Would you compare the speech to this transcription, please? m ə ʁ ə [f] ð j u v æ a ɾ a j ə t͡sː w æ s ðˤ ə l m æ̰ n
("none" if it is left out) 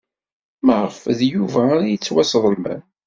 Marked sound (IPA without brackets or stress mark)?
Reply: f